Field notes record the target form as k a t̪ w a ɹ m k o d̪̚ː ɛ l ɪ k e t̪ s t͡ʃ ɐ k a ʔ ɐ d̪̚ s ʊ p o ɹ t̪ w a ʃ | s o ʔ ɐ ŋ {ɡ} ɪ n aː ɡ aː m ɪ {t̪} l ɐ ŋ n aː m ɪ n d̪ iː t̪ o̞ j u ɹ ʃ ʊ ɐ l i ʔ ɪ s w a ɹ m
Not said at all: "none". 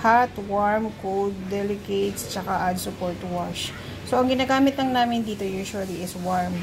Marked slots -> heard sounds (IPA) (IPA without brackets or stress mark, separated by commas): ɡ, t̪